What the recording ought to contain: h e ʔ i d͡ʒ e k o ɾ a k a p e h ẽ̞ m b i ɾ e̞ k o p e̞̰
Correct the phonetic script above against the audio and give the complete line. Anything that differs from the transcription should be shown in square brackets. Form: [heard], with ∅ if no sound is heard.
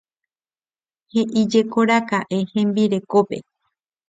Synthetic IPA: h e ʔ i d͡ʒ e k o ɾ a k a [ʔ] e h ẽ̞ m b i ɾ e̞ k o p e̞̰